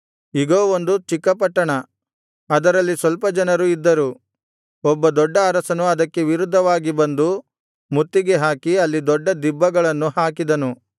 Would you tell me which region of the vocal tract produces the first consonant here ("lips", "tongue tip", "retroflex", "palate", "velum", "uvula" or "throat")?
velum